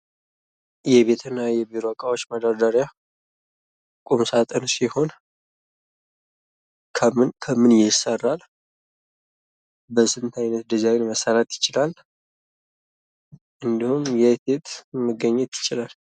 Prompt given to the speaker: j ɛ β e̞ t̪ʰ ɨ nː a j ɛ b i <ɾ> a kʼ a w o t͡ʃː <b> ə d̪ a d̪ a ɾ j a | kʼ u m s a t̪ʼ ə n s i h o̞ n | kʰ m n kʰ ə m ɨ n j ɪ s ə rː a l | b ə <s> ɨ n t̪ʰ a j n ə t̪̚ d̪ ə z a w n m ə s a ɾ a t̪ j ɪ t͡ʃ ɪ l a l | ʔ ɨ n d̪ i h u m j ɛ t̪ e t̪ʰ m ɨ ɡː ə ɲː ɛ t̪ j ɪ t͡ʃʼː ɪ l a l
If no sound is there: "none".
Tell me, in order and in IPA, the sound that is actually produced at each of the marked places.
ɾ, m, s

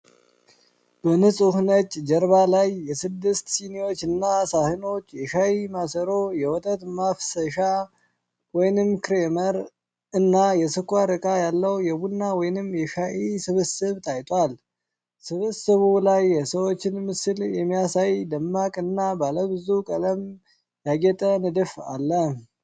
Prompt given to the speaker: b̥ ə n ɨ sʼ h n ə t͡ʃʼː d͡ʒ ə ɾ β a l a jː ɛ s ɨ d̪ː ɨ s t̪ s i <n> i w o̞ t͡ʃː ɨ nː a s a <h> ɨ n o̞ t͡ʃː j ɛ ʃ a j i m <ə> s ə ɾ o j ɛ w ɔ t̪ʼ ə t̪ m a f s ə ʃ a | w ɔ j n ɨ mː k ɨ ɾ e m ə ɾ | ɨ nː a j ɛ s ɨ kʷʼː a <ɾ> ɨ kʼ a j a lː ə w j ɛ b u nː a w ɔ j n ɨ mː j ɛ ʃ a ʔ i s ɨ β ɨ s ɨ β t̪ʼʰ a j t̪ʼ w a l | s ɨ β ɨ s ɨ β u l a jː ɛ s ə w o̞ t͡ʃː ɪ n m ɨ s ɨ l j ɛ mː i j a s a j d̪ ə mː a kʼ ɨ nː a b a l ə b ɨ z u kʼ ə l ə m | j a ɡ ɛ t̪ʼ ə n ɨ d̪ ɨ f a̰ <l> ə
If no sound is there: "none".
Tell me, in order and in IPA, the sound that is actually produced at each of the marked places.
n, h, a, ɾ, lː

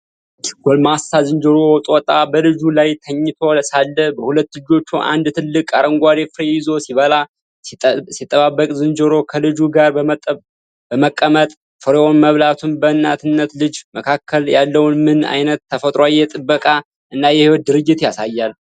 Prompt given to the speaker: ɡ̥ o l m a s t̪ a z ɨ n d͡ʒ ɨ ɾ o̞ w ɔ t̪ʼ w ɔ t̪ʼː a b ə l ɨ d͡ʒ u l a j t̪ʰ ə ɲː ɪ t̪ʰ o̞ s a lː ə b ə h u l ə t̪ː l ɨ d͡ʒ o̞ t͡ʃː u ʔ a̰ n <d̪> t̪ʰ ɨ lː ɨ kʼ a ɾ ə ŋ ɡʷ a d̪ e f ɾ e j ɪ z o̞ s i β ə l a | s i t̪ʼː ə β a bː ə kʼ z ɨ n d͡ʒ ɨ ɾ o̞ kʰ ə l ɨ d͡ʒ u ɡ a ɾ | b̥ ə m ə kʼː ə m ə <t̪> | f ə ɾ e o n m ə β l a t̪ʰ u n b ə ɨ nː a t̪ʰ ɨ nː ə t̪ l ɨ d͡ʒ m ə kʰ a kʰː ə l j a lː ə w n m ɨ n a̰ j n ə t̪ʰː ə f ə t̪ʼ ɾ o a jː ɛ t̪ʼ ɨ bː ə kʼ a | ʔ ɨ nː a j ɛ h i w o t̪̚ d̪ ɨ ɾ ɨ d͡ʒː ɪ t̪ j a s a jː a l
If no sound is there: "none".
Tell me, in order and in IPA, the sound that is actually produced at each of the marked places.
d̪, t̪ʼ

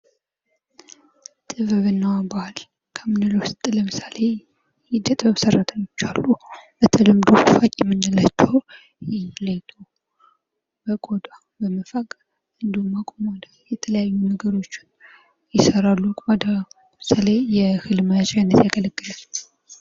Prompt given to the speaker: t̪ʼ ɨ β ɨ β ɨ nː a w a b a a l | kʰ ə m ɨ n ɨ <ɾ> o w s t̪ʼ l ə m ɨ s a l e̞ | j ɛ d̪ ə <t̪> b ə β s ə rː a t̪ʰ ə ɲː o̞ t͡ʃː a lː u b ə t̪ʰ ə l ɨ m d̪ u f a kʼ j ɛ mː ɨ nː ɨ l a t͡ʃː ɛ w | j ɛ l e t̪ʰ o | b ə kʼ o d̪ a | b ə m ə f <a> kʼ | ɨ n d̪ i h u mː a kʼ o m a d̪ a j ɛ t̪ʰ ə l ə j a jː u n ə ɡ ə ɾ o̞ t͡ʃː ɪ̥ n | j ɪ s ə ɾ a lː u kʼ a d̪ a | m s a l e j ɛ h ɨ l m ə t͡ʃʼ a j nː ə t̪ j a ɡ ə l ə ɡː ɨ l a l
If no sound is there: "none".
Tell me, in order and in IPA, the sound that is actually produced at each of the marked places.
l, t̪ʼ, a

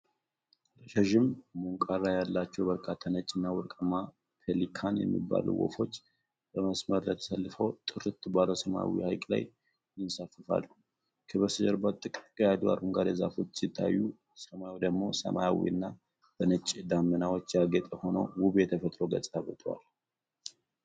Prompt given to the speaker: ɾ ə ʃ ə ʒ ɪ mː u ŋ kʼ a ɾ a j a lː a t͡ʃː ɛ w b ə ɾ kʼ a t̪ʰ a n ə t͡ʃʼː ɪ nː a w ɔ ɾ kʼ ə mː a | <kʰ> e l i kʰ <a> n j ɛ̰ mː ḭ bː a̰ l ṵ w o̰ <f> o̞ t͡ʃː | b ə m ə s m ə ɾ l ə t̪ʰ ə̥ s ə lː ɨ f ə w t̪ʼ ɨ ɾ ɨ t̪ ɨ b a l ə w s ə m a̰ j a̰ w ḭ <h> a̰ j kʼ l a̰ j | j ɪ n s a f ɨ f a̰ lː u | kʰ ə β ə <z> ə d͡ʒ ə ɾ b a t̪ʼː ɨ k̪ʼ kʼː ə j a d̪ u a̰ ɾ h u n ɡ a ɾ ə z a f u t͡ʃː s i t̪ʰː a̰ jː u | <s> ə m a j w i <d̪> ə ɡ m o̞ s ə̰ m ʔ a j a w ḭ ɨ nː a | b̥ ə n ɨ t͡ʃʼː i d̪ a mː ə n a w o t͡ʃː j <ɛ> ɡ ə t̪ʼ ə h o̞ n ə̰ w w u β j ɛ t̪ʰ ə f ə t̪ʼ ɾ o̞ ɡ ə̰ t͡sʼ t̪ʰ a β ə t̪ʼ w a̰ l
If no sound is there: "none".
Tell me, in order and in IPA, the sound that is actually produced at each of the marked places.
pʰ, a, f, h, s, s, d̪, a

